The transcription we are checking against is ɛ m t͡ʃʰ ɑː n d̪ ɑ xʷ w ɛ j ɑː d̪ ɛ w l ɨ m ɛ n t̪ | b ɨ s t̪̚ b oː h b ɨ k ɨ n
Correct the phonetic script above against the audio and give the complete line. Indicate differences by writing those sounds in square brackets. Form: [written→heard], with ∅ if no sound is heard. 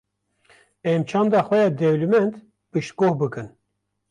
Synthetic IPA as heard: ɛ m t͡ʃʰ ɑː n d̪ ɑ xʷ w ɛ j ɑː d̪ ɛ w l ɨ m ɛ n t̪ | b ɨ [s→ʃ] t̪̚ [b→ɡ] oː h b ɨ k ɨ n